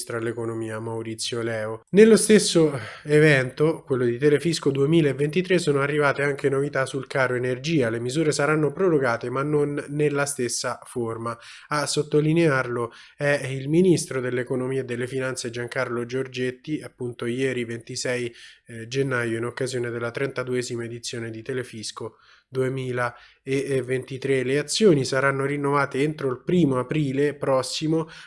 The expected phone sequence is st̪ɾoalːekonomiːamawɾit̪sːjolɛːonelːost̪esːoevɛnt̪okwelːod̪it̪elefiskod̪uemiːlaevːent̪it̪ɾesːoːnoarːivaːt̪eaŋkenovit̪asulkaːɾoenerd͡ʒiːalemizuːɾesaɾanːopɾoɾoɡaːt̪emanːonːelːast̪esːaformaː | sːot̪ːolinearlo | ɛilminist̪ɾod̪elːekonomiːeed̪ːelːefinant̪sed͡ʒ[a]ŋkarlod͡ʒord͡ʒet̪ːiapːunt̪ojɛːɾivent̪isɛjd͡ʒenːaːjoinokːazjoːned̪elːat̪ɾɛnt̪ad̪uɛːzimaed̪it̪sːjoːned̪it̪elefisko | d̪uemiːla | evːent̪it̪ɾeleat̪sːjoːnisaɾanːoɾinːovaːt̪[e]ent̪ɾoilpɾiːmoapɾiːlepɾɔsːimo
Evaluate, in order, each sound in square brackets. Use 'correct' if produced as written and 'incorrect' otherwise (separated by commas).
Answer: correct, correct